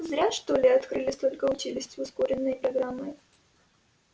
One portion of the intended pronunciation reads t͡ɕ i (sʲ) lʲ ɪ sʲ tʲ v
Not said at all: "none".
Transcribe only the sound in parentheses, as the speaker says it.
none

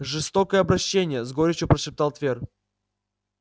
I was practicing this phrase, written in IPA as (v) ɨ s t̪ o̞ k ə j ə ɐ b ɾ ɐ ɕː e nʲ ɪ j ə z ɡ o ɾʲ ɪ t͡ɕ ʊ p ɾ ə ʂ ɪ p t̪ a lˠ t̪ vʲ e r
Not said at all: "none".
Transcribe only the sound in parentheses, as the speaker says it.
ʐ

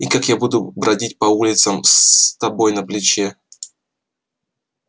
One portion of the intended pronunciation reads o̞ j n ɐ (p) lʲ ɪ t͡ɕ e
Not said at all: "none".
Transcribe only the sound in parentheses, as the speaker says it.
p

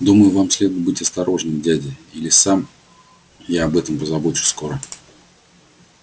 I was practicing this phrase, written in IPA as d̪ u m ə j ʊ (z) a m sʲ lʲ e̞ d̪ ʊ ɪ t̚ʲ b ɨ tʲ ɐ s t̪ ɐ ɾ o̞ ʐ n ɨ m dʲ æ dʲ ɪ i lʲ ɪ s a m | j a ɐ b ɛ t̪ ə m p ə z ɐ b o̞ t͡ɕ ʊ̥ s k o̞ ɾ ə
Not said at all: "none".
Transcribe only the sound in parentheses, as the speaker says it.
v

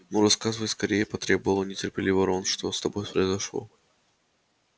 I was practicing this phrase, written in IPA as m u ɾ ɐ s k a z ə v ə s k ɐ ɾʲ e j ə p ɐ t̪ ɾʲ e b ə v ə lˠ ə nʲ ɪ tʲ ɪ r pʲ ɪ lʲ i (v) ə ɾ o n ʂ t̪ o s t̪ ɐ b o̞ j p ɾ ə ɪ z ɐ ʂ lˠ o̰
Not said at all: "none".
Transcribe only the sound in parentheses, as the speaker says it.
v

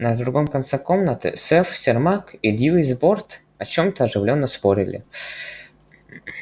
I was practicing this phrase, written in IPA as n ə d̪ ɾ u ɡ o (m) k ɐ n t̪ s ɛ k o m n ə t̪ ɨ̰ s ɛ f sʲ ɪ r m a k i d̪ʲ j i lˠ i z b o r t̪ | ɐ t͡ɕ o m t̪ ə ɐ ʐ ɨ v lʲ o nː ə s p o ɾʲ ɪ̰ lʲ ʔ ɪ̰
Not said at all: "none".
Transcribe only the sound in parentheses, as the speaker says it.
m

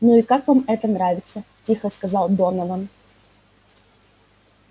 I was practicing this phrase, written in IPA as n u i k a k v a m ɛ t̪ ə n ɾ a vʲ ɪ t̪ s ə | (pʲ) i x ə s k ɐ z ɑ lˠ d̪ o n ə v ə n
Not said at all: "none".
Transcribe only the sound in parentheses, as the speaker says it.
tʲ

